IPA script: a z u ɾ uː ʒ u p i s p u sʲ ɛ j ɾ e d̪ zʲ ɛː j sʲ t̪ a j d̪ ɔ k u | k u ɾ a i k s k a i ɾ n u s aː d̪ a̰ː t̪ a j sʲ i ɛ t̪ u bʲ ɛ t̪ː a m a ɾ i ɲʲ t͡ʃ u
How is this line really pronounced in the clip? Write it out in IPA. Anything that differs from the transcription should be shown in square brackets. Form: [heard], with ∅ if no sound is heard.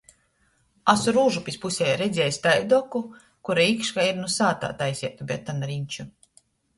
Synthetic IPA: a [s] u ɾ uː ʒ u p i s p u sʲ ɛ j ɾ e d̪ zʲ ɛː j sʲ t̪ a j d̪ ɔ k u | k u ɾ a i k [ʃ] k a i ɾ n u s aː [t̪] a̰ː t̪ a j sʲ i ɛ t̪ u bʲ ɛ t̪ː a [n] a ɾ i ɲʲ t͡ʃ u